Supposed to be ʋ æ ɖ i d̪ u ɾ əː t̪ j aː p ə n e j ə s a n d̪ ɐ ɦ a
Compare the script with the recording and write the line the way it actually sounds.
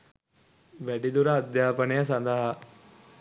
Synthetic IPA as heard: ʋ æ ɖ i d̪ u ɾ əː d̪ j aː p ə n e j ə s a n d̪ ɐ ɦ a